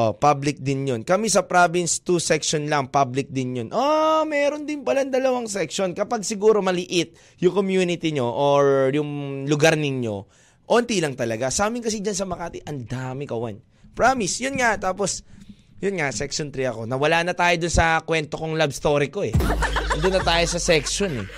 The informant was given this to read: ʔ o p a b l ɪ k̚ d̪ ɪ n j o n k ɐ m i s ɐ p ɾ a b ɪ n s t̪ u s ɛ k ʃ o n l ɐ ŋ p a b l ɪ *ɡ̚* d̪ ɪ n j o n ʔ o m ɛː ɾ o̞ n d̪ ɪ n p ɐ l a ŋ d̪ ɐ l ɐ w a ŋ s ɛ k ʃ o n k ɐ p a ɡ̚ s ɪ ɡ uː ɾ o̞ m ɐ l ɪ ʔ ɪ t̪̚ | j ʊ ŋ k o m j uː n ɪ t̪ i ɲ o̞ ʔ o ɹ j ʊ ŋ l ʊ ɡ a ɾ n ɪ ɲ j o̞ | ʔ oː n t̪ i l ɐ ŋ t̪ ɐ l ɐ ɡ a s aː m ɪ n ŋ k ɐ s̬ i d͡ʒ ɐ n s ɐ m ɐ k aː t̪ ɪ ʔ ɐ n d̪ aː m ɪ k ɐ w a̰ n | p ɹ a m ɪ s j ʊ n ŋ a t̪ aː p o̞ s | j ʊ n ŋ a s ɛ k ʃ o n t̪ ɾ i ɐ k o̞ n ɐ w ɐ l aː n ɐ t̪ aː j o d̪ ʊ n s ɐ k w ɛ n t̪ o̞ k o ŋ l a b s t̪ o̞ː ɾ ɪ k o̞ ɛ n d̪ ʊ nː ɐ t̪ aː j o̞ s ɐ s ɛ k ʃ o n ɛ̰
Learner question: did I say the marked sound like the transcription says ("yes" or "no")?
no